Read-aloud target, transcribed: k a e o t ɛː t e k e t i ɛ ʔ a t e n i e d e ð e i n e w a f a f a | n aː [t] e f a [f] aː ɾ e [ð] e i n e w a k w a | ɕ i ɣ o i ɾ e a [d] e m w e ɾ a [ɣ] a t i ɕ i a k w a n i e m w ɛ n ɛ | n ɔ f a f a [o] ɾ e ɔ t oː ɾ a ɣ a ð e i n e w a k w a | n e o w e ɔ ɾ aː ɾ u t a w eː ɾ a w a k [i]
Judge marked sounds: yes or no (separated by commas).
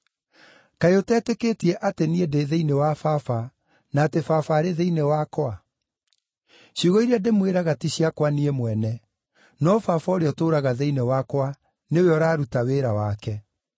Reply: yes, yes, yes, yes, yes, yes, no